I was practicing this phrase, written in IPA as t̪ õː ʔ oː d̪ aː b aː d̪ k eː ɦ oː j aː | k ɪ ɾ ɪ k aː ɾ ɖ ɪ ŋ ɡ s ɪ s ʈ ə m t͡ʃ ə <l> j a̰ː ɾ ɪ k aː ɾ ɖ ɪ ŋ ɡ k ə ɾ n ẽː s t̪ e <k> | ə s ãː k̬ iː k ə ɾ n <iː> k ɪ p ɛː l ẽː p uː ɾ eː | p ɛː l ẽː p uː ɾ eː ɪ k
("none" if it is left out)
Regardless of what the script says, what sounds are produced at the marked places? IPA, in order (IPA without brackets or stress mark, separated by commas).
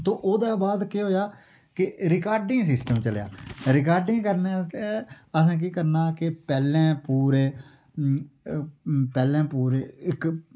l, none, aː